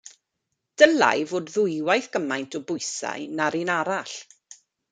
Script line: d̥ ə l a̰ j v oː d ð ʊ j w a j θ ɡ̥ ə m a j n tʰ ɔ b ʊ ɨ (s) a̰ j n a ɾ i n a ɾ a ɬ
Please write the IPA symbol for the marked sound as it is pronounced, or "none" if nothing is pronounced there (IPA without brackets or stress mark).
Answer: s